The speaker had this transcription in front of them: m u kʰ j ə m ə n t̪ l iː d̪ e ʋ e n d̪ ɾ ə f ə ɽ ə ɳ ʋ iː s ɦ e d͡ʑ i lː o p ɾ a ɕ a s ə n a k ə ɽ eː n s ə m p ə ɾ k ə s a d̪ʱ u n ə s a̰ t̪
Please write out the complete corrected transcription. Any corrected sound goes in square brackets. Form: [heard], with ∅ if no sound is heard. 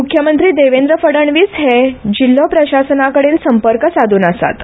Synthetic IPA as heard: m u kʰ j ə m ə n t̪ [ɾ] iː d̪ e ʋ e n d̪ ɾ ə f ə ɽ ə ɳ ʋ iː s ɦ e d͡ʑ i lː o p ɾ [ə] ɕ a s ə n a k ə ɽ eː n s ə m p ə ɾ k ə s a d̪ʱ [uː] n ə s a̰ t̪